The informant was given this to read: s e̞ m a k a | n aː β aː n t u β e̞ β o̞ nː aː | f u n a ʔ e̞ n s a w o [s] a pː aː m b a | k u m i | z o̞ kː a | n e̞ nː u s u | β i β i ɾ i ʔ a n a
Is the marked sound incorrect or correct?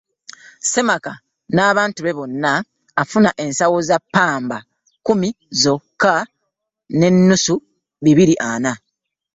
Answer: incorrect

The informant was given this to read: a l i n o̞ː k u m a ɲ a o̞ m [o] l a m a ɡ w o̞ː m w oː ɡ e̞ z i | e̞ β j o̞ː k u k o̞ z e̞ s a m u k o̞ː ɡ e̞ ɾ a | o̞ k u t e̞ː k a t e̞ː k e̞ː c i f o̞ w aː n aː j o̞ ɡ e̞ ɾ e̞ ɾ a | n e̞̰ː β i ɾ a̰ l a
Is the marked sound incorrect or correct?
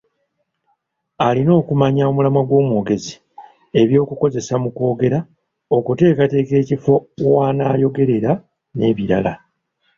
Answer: incorrect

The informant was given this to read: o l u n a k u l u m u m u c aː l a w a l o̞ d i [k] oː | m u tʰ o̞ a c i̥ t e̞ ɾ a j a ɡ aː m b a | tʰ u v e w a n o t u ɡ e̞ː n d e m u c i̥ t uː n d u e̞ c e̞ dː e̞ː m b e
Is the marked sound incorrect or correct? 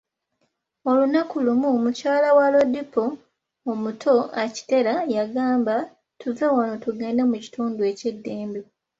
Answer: incorrect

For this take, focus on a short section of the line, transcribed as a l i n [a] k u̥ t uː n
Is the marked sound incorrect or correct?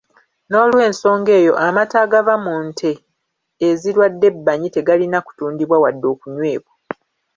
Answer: correct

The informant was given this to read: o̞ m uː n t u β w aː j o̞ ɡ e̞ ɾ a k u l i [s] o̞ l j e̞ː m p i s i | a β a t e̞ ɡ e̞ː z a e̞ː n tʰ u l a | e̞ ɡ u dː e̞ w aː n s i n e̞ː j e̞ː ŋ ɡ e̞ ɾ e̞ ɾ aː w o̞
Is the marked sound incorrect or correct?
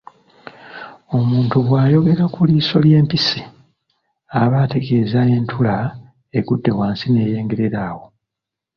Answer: correct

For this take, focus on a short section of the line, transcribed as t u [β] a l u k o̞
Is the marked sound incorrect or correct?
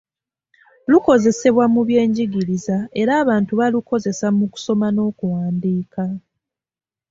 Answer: correct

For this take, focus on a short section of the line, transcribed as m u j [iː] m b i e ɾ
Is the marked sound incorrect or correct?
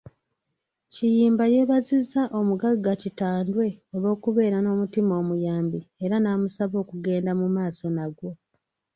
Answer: incorrect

